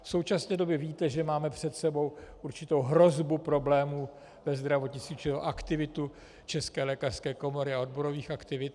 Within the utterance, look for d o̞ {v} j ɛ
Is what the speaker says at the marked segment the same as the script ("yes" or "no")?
no